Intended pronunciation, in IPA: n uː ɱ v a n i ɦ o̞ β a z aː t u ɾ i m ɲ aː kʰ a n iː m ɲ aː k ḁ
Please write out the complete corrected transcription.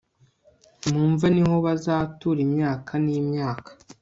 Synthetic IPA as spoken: m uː ɱ v a n i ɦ o̞ β a z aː t u ɾ i m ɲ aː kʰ a n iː m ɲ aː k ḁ